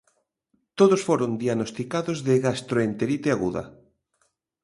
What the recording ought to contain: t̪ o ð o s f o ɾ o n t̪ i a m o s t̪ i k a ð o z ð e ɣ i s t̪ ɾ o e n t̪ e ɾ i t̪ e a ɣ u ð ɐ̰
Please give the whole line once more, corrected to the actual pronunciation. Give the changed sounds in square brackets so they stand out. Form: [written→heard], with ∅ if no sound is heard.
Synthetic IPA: t̪ o ð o s f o ɾ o n [t̪→d̪] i a [m→n] o s t̪ i k a ð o z ð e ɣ [i→a] s t̪ ɾ o e n t̪ e ɾ i t̪ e a ɣ u ð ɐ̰